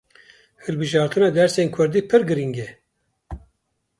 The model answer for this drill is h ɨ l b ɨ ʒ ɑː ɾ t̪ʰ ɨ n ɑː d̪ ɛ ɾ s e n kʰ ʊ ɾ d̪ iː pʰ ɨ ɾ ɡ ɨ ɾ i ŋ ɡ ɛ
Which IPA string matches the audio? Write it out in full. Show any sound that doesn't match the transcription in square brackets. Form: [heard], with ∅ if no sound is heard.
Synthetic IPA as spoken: h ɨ l b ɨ ʒ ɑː ɾ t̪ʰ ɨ n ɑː d̪ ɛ ɾ s e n kʰ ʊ ɾ d̪ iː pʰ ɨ ɾ ɡ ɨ ɾ i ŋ ɡ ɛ